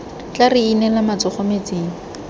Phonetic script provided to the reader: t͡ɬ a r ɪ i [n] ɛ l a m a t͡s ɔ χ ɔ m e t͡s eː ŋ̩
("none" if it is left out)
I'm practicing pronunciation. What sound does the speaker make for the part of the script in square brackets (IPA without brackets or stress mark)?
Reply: n